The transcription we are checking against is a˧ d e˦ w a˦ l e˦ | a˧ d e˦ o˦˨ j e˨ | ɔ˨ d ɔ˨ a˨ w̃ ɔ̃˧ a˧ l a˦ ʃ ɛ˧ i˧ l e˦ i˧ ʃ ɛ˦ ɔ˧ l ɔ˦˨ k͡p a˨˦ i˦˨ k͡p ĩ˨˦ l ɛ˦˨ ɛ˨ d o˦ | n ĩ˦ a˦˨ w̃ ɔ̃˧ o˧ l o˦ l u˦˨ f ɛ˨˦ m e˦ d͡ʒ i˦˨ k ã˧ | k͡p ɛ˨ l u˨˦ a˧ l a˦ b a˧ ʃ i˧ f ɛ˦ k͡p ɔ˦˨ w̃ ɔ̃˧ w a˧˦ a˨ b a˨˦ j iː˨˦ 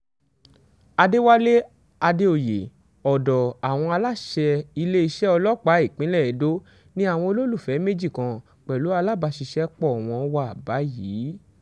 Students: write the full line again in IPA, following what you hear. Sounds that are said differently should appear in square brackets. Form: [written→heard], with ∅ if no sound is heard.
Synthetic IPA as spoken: a˧ d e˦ w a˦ l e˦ | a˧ d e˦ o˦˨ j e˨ | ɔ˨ d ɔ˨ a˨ w̃ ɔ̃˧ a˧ l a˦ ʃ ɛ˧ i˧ l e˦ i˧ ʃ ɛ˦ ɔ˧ l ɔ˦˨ k͡p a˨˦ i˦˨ k͡p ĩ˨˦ l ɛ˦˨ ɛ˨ d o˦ | n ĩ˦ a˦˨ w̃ ɔ̃˧ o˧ l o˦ l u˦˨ f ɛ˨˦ m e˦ d͡ʒ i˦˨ k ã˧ | k͡p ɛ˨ l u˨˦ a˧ l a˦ b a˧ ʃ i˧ [f→ʃ] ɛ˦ k͡p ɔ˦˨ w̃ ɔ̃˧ w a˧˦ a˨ b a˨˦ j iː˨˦